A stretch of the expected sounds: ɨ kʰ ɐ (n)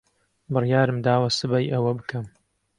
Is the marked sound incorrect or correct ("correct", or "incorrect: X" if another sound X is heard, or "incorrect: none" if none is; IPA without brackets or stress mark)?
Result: incorrect: m